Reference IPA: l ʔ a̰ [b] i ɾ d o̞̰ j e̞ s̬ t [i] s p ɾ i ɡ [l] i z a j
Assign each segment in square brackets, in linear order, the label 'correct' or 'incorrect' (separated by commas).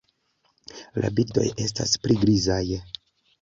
correct, incorrect, incorrect